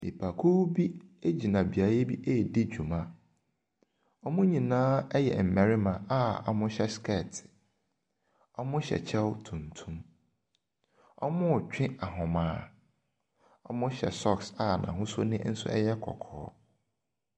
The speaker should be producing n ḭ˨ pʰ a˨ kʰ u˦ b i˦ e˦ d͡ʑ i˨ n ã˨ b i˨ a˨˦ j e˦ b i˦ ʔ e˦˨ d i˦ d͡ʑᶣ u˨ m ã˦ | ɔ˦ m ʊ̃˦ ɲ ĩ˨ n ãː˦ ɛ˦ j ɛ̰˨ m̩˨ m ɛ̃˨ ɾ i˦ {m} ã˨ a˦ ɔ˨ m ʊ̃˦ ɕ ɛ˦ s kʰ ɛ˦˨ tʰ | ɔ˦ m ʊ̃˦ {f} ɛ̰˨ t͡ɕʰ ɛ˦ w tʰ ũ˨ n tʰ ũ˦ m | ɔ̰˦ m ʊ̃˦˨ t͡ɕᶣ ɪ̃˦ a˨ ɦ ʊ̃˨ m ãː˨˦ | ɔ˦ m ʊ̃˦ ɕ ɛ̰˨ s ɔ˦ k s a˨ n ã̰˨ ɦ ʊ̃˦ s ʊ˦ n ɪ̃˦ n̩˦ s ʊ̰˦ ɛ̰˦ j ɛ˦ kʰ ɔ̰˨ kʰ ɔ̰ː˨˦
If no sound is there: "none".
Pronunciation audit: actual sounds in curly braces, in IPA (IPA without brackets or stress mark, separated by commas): m, ɕ